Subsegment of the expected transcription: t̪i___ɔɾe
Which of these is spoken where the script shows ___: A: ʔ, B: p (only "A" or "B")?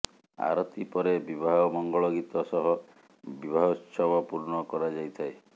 B